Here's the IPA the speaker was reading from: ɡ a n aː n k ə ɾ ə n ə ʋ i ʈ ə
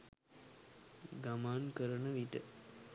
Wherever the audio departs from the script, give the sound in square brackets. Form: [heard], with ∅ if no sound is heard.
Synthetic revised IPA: ɡ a [m] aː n k ə ɾ ə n ə ʋ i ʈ ə

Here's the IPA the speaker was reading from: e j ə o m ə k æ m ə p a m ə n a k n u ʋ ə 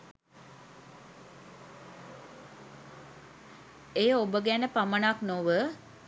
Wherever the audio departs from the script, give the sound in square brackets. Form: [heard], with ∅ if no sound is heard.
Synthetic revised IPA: e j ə o [b] ə [ɡ] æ [n] ə p a m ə n a k n [o] ʋ ə

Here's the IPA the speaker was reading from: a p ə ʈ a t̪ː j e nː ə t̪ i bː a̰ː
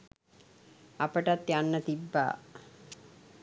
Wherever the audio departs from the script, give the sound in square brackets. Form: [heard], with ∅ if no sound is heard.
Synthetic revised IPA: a p ə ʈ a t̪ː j [a] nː ə t̪ i bː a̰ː

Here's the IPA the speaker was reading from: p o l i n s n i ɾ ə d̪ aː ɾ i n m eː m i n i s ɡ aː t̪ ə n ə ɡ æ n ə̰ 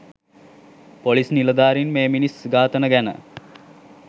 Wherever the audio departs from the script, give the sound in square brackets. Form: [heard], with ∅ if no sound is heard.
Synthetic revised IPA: p o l i [∅] s n i [l] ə d̪ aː ɾ i n m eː m i n i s ɡ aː t̪ ə n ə ɡ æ n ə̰

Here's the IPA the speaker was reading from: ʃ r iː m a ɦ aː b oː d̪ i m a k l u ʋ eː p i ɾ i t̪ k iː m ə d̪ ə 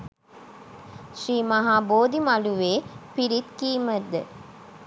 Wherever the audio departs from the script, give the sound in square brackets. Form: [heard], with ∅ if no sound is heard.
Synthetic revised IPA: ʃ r iː m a ɦ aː b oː d̪ i m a [∅] l u ʋ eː p i ɾ i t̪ k iː m ə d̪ ə

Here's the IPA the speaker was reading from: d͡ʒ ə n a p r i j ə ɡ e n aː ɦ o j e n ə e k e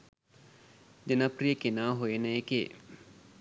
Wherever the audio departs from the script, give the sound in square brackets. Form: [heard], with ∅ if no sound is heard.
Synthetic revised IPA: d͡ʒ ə n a p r i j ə [k] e n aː ɦ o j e n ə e k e

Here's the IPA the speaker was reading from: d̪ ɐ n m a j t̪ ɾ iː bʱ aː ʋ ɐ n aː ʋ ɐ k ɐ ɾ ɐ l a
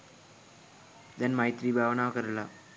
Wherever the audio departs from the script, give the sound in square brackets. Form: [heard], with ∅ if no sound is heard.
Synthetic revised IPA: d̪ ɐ n m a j t̪ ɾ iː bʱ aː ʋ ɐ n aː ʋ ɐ k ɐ ɾ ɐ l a

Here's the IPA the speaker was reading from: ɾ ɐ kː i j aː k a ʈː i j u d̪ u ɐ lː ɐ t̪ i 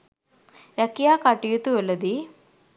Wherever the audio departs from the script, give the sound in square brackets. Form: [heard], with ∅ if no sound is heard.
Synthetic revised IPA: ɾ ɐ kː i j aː k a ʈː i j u [t̪] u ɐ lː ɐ [d̪] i

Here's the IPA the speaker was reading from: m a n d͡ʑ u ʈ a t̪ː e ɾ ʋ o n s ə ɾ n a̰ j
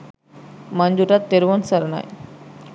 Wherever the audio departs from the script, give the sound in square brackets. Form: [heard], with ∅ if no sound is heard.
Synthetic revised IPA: m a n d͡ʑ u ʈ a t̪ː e ɾ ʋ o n s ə ɾ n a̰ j

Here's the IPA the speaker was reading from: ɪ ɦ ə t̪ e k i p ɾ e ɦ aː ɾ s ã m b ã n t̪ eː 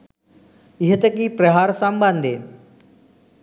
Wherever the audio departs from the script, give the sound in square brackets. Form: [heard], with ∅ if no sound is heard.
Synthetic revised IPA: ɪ ɦ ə t̪ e k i p ɾ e ɦ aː ɾ s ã m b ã n [d̪] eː

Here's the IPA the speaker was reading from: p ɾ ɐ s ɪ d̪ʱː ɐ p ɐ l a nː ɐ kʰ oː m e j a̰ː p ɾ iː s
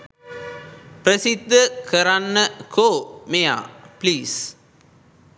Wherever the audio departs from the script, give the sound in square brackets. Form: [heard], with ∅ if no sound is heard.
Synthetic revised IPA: p ɾ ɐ s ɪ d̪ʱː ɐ [k] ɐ [ɾ] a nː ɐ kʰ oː m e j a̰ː p [l] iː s

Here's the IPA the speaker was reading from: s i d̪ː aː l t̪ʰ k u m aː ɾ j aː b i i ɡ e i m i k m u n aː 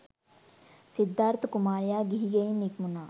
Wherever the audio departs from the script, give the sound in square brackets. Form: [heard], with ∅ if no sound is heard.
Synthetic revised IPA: s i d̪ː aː [ɾ] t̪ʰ k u m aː ɾ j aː [ɡ] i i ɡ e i [n] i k m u n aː

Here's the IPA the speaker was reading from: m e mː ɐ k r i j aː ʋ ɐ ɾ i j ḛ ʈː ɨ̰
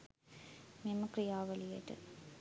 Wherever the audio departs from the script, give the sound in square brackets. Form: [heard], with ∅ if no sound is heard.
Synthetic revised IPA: m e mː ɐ k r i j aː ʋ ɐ [l] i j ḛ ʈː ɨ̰

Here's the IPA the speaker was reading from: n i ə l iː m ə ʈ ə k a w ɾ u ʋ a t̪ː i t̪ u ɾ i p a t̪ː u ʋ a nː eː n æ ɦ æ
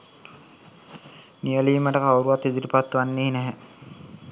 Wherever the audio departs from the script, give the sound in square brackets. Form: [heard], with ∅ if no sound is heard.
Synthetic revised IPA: n i ə l iː m ə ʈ ə k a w ɾ u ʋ a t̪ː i [d̪] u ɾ i p a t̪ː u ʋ a nː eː n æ ɦ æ

